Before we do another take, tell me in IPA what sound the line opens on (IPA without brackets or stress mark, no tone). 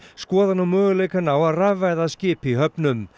s